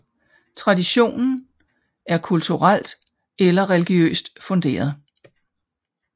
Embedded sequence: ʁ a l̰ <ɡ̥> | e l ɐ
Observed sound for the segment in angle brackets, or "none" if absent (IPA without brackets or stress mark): d̥